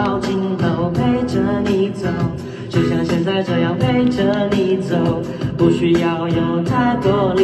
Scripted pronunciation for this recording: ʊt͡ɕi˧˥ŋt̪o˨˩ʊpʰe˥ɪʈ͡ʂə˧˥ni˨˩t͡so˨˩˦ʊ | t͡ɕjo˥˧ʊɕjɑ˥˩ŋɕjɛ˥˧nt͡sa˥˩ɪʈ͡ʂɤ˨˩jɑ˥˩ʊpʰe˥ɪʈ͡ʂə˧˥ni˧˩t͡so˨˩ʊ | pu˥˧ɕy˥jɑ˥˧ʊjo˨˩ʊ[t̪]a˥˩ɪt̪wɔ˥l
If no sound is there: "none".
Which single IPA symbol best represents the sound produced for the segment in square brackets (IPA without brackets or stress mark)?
t̪ʰ